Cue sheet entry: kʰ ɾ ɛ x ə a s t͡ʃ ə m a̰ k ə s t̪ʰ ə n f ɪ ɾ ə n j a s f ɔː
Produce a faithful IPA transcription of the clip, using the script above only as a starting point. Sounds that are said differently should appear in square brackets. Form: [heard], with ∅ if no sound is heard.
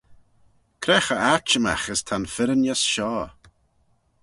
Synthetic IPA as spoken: kʰ ɾ ɛ x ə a [∅] t͡ʃ ə m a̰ [x] ə s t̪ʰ [a] n f ɪ ɾ ə n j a s [ʃ] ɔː